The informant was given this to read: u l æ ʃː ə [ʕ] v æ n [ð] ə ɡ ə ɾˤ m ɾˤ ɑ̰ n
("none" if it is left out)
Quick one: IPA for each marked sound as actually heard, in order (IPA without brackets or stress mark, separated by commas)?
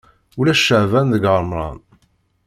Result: ʕ, ð